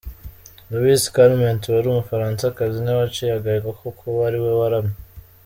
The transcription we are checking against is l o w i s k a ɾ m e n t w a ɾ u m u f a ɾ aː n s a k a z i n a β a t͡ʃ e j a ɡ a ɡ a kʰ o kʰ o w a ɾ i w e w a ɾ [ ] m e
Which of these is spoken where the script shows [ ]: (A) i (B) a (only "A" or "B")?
B